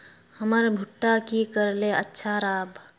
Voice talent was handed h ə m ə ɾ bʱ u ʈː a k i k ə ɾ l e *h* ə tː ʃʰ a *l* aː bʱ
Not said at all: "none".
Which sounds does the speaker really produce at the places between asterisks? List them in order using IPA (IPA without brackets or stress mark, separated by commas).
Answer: none, ɾ